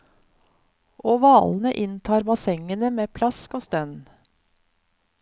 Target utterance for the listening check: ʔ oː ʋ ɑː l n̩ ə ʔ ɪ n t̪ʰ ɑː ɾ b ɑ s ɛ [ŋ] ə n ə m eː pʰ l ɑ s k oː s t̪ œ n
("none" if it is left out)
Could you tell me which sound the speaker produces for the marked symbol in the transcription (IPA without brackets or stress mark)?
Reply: ŋ